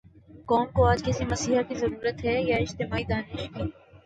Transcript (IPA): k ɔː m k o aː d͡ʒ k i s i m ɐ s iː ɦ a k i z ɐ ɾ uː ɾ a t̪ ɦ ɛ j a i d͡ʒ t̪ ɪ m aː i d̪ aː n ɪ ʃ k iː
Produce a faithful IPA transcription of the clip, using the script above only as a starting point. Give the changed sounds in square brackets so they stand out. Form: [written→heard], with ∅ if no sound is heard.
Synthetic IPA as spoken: k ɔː m k o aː d͡ʒ k [i→ɪ] s i m ɐ s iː ɦ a k i z ɐ ɾ uː ɾ [a→ə] t̪ ɦ ɛ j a [i→ɪ] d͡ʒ t̪ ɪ m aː i d̪ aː n ɪ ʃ k iː